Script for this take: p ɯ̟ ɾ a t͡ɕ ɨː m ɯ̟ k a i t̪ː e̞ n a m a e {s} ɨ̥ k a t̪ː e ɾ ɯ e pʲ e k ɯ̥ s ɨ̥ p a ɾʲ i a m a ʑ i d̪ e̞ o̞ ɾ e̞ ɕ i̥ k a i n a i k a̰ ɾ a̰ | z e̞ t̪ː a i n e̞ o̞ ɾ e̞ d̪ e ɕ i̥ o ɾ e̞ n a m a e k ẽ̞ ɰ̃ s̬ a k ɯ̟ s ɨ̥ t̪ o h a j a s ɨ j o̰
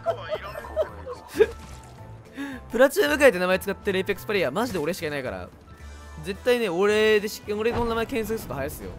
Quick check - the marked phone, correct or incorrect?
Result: incorrect